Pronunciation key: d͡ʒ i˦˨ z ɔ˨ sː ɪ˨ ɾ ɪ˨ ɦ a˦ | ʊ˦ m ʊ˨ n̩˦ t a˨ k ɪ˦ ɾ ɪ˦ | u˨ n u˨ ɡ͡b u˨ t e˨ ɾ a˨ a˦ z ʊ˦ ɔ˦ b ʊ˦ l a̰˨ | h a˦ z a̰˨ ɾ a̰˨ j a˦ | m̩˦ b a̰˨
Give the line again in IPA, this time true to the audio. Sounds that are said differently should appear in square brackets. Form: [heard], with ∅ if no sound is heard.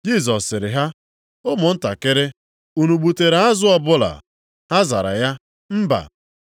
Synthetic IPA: d͡ʒ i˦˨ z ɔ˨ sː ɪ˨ ɾ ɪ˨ ɦ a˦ | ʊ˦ m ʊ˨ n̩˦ t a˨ k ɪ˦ ɾ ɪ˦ | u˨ n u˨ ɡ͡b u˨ t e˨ ɾ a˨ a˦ z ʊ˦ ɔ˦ b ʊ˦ l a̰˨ | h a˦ z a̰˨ ɾ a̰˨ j a˦ | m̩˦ b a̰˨